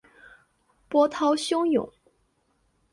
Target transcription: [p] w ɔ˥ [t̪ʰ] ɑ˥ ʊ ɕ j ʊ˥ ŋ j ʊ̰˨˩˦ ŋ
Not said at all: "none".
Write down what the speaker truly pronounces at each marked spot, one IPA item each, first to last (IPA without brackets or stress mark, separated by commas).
p, t̪ʰ